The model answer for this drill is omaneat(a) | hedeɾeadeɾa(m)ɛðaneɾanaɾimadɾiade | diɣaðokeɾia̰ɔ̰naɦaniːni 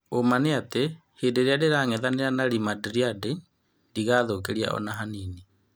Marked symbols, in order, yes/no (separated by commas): no, no